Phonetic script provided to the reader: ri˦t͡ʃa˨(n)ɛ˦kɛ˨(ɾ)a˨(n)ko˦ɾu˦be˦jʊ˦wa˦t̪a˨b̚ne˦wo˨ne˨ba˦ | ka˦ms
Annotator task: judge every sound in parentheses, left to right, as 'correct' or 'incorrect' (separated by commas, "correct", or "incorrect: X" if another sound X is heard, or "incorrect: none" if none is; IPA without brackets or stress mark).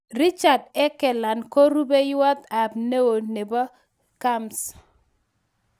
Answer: incorrect: d, incorrect: l, correct